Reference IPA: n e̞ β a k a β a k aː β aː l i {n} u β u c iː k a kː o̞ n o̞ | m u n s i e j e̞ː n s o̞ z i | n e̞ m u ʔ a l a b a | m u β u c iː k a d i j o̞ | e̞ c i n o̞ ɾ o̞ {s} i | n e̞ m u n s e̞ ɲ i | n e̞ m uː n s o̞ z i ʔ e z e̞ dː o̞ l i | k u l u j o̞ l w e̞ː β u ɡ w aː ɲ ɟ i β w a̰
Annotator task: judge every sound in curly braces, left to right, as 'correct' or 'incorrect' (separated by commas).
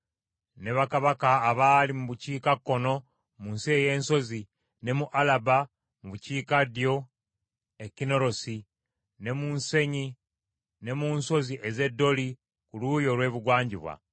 incorrect, correct